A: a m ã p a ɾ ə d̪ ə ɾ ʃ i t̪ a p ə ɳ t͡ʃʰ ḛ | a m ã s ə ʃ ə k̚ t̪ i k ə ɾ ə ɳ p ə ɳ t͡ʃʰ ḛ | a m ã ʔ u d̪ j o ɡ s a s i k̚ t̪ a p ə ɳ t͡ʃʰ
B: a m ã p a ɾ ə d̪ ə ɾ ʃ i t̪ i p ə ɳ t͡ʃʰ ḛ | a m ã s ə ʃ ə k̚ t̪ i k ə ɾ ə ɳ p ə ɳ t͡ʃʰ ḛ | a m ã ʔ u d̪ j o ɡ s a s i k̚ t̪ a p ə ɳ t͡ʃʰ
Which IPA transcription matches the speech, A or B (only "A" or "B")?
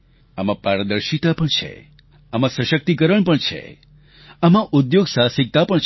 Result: A